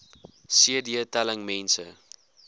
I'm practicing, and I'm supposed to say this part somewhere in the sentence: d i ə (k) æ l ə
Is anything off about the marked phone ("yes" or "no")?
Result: yes